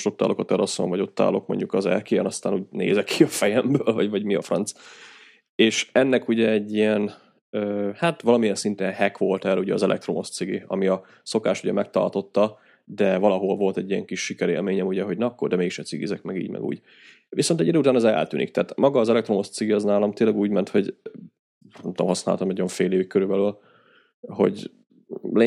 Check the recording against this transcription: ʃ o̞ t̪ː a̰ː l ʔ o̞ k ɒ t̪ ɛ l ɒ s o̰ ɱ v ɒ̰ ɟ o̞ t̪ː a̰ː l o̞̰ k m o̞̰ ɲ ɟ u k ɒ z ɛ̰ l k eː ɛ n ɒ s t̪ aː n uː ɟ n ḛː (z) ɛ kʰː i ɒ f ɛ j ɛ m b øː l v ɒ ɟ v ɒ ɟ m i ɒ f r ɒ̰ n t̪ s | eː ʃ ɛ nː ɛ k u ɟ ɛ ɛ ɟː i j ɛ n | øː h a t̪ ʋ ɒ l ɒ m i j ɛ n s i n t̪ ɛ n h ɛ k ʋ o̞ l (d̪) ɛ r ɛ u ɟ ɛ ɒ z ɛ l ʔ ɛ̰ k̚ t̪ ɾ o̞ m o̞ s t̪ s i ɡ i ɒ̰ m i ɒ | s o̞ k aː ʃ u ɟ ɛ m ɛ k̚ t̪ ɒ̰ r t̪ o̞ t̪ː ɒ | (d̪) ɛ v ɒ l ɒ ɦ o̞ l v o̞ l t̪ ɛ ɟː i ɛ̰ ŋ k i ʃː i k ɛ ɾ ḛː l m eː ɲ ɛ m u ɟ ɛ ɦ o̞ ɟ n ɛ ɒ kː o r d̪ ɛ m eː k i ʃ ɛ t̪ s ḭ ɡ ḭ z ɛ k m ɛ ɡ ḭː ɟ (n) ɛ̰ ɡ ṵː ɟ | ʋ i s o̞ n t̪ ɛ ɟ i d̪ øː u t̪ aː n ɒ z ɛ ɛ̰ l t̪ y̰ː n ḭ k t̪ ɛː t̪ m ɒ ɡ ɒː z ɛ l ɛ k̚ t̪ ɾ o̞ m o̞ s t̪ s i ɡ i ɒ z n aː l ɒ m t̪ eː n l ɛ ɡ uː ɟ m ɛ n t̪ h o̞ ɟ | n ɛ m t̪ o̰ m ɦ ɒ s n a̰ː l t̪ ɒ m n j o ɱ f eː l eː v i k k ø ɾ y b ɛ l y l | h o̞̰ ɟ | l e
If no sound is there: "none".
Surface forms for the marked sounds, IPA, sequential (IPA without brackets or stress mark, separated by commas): z, t̪, d̪, m